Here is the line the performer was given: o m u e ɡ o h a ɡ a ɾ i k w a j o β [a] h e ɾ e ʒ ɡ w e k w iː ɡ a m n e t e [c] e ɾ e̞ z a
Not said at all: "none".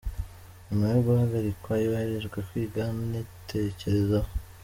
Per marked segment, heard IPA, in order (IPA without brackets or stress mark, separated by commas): a, c